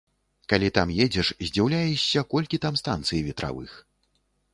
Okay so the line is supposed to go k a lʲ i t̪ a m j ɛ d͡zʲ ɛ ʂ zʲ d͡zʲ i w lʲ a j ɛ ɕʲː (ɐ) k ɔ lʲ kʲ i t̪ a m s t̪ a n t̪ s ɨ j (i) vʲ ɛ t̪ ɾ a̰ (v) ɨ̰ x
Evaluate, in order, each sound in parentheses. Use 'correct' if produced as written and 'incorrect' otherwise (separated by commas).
correct, correct, correct